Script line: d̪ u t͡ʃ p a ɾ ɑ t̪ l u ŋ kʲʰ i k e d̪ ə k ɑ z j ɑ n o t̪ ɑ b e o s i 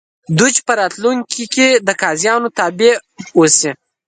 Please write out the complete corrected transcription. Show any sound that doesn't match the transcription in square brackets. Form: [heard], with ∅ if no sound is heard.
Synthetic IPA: d̪ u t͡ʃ p [ə] ɾ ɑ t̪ l u ŋ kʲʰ i k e d̪ ə k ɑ z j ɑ n o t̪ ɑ b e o s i